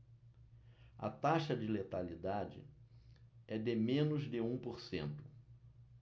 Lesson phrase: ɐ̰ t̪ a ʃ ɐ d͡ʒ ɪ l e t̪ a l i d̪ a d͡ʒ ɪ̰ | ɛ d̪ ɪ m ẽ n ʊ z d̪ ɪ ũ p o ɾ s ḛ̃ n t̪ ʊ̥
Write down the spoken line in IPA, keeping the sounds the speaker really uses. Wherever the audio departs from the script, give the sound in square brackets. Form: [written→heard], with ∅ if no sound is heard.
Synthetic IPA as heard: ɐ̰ t̪ a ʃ ɐ d͡ʒ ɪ l e t̪ a l i d̪ a d͡ʒ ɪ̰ | ɛ d̪ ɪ m ẽ n ʊ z d̪ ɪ ũ p o ɾ s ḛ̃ n t̪ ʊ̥